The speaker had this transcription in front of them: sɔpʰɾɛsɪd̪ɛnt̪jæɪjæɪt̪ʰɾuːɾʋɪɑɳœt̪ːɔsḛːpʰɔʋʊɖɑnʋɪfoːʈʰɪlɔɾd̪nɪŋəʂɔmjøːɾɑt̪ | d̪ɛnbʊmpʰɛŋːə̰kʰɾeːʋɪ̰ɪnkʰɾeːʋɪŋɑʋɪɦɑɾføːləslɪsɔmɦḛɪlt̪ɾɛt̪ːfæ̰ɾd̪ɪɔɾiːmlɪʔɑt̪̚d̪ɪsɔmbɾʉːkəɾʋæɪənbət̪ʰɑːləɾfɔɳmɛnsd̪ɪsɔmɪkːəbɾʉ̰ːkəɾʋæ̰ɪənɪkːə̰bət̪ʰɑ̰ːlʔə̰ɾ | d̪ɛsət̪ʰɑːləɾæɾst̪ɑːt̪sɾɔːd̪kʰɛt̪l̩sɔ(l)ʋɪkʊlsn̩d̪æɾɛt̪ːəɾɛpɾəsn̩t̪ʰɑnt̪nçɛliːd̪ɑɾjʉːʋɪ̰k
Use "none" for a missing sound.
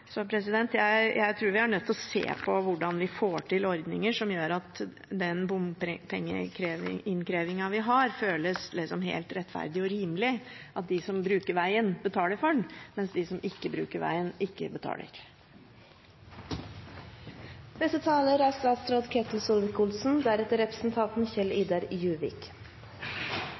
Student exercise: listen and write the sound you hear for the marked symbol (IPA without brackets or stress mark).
l